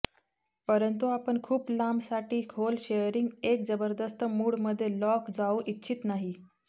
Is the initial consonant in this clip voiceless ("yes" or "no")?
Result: yes